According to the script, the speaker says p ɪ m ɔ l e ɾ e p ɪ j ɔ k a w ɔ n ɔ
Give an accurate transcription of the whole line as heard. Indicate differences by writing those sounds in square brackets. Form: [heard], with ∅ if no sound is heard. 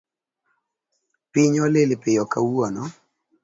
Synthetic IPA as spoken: p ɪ [ɲ] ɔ l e [l] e p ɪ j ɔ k a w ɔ n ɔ